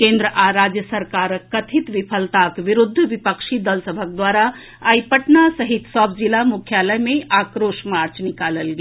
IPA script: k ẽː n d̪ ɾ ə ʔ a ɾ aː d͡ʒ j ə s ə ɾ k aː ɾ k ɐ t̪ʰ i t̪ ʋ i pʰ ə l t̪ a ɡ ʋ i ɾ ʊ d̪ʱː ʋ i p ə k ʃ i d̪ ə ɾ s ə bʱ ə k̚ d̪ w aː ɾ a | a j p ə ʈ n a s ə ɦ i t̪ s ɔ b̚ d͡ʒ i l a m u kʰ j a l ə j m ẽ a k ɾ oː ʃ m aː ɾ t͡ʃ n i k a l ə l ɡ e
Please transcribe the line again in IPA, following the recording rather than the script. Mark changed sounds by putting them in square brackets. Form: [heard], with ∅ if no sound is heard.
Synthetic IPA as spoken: k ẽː n d̪ ɾ ə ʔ a ɾ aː d͡ʒ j ə s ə ɾ k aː ɾ k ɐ t̪ʰ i t̪ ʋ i pʰ ə l t̪ a [k] ʋ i ɾ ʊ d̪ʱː ʋ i p ə k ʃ i d̪ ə [l] s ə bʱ ə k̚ d̪ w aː ɾ a | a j p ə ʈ n a s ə ɦ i t̪ s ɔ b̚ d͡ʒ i l a m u kʰ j a l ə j m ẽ a k ɾ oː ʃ m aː ɾ t͡ʃ n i k a l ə l ɡ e